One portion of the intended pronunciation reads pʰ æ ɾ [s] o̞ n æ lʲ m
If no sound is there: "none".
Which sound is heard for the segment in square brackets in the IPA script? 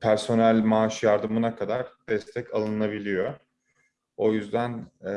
s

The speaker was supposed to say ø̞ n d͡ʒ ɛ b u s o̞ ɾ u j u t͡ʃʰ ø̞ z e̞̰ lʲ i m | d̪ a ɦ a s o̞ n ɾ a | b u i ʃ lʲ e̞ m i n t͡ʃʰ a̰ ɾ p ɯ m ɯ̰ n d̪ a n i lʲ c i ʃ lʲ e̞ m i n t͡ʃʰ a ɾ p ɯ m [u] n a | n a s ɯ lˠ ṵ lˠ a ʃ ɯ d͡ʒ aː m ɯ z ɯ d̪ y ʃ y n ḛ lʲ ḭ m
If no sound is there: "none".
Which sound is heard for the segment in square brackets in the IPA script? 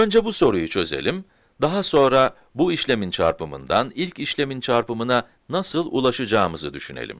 ɯ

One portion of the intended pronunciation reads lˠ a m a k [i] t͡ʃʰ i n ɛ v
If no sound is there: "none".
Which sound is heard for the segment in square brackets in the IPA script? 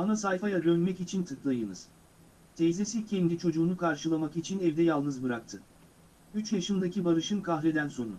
i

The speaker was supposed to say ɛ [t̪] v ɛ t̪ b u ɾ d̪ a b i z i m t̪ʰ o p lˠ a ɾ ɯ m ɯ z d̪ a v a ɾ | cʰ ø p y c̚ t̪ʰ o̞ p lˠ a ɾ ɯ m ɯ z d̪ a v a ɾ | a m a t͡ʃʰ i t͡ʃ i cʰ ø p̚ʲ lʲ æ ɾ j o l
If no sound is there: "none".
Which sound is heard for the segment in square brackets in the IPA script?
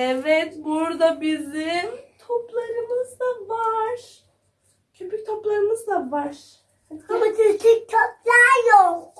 none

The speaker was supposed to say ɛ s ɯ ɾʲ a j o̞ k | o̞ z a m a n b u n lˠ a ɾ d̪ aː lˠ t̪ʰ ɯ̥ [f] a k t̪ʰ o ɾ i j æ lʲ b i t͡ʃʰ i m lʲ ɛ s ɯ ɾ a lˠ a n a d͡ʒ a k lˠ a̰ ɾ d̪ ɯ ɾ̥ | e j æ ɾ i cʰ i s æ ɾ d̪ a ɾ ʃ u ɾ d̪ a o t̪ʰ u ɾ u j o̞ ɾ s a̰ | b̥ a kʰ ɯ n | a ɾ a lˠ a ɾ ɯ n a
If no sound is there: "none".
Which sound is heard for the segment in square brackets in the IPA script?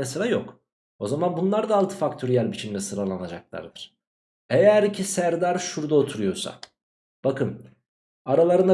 f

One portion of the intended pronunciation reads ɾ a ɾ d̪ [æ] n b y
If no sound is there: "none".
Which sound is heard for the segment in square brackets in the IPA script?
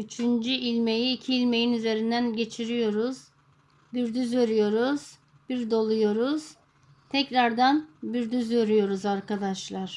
a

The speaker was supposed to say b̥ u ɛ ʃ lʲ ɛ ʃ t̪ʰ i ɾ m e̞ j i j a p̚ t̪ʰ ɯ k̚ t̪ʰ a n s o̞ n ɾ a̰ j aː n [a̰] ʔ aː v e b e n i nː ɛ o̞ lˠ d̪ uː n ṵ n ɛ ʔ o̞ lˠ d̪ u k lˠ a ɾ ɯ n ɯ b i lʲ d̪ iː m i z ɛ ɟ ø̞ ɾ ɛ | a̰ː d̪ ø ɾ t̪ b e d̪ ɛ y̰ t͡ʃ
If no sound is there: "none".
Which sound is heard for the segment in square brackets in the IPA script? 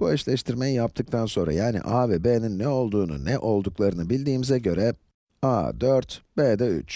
ḭ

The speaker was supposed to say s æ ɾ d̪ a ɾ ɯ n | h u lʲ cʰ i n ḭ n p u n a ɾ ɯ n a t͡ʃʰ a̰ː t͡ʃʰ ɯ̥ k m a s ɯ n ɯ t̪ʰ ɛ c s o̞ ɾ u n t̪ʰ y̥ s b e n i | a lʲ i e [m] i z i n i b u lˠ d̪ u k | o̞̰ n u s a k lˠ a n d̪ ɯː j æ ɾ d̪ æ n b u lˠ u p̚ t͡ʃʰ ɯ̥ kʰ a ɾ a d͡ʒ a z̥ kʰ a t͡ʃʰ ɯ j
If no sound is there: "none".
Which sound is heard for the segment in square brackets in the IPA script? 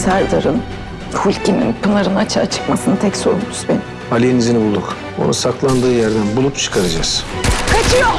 n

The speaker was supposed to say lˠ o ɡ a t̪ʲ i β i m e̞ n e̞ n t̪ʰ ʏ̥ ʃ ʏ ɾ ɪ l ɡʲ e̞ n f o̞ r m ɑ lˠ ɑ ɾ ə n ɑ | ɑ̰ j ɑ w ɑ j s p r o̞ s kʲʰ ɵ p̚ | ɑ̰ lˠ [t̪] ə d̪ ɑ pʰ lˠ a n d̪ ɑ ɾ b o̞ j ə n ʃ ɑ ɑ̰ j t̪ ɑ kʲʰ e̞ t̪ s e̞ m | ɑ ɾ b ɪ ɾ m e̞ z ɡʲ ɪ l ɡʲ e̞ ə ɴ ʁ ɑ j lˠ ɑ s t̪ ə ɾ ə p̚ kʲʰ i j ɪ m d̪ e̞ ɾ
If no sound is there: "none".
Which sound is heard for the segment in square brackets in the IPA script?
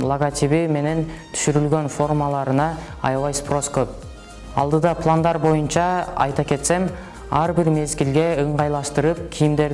d̪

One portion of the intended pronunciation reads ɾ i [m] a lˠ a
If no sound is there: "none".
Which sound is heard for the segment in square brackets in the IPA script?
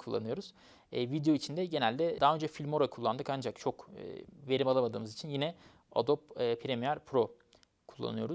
m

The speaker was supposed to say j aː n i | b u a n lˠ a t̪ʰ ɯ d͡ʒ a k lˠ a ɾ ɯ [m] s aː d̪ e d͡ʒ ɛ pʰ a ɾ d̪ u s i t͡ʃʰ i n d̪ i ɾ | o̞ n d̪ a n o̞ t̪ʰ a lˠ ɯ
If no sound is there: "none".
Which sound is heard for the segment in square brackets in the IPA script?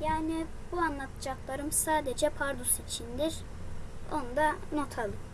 m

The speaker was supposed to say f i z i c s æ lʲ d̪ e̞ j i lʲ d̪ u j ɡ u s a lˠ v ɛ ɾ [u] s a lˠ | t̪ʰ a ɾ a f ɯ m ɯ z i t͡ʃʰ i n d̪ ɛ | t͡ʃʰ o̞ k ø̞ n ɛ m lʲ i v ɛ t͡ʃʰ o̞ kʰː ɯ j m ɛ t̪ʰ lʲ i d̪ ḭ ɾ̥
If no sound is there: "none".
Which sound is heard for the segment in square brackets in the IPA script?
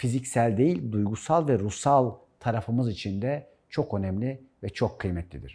u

